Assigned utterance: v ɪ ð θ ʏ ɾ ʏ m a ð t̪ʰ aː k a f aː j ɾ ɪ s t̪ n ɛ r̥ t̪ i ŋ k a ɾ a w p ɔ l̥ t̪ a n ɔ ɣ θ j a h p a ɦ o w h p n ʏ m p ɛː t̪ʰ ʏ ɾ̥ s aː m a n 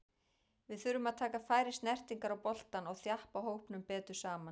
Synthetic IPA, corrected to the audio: v ɪ ð θ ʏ ɾ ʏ m a ð t̪ʰ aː k a f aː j ɾ ɪ s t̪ n ɛ r̥ t̪ i ŋ k a ɾ a w p ɔ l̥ t̪ a n ɔ ɣ θ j a h p a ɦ o w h p n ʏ m p ɛː t̪ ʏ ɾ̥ s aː m a n